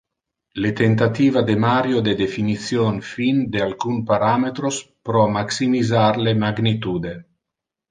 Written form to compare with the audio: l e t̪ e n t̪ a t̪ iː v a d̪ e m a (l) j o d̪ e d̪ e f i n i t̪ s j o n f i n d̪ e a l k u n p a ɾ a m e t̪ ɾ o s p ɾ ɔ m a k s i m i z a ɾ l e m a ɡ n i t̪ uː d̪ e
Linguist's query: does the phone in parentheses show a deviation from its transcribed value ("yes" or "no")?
yes